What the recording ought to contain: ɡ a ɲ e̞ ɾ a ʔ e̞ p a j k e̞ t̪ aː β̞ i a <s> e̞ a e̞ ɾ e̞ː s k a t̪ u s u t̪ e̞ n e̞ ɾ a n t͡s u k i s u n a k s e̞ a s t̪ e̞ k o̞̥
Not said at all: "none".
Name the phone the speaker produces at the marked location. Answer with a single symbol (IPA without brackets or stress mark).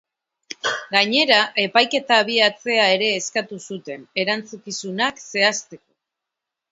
t͡s